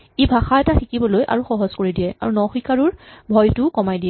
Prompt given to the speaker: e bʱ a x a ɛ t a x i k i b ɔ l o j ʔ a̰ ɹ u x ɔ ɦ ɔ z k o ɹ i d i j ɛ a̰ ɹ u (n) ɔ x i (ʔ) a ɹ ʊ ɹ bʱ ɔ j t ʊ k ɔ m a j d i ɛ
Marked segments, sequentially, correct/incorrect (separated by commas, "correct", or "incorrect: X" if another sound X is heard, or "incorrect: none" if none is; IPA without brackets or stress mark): correct, incorrect: k